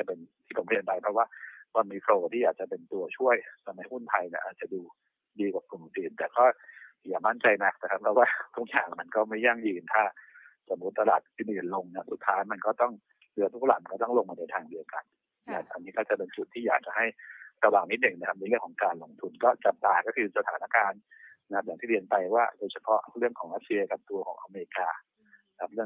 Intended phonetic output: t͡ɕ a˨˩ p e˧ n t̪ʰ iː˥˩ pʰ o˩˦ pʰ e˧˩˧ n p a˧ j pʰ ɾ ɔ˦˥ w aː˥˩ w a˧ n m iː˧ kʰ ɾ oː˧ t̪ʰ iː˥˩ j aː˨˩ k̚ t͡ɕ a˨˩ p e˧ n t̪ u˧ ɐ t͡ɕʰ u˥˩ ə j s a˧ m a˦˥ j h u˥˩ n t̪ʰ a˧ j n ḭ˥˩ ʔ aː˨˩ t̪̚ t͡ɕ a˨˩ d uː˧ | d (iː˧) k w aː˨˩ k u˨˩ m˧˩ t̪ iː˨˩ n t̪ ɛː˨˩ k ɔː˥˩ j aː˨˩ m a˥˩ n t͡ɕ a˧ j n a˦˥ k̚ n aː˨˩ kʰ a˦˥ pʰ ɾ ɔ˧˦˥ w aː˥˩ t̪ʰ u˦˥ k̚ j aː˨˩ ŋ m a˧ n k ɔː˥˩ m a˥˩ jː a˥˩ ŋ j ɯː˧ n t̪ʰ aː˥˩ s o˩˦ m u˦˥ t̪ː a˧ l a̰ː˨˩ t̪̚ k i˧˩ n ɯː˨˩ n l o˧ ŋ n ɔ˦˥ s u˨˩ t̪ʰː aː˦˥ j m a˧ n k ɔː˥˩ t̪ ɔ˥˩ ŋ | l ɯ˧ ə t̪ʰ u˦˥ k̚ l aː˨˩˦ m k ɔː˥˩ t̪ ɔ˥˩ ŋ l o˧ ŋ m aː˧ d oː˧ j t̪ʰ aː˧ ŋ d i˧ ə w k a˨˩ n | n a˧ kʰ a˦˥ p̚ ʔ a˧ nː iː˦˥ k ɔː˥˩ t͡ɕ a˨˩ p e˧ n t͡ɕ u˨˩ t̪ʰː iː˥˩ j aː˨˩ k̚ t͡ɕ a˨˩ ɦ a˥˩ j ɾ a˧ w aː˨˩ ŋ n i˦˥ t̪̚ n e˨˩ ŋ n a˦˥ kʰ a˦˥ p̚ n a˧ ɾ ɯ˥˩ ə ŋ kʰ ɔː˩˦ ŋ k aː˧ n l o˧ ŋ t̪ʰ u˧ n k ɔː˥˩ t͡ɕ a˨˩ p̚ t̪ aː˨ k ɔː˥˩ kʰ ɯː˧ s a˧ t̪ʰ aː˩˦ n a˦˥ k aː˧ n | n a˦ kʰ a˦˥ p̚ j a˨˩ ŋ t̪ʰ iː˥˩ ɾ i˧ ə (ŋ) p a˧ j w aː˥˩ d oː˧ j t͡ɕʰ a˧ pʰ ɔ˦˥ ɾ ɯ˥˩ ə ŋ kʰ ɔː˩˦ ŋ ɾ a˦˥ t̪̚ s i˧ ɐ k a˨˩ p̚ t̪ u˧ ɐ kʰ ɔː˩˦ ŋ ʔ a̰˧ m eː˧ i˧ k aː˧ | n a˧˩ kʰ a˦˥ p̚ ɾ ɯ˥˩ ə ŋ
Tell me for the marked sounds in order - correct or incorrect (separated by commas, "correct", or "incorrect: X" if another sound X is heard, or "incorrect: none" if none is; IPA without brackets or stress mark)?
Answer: correct, incorrect: n